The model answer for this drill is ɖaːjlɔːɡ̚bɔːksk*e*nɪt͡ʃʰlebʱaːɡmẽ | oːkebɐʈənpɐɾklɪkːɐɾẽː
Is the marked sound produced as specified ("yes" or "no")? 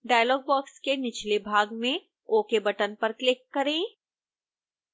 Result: yes